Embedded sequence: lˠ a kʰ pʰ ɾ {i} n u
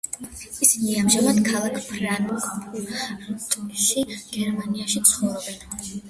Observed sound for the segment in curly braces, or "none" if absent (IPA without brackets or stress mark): a